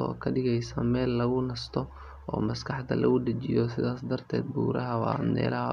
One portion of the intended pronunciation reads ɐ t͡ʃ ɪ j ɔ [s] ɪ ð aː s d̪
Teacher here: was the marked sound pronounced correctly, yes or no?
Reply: yes